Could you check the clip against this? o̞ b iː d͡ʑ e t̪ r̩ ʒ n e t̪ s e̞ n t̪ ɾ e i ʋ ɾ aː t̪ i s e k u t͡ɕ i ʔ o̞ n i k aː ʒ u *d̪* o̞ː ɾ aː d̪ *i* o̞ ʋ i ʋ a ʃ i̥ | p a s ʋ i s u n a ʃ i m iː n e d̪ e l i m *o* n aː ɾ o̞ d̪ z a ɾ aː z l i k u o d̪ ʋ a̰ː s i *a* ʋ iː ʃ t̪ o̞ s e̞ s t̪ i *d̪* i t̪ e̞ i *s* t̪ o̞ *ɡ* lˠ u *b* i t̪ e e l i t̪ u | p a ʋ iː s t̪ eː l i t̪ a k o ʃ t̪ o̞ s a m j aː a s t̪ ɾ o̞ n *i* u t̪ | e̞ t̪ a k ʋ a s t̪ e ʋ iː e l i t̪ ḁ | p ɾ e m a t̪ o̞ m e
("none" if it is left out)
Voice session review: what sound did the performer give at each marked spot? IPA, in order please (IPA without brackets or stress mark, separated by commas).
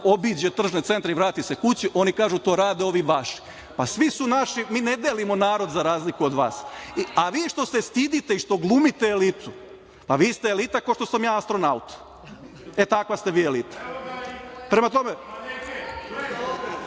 t̪, e, o, a, d̪, ʃ, ɡ, m, a